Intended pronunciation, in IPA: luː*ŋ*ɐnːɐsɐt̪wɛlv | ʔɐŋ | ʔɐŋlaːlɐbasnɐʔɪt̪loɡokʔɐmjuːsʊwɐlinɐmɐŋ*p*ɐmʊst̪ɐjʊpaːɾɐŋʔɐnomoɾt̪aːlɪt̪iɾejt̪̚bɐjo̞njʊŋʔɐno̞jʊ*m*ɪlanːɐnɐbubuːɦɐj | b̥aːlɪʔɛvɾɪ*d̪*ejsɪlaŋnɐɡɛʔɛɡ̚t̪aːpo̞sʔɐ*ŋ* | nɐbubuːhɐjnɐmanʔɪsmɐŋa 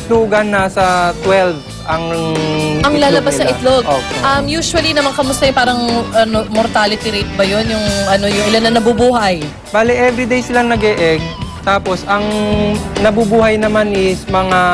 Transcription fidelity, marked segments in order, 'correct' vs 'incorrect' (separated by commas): incorrect, incorrect, incorrect, correct, correct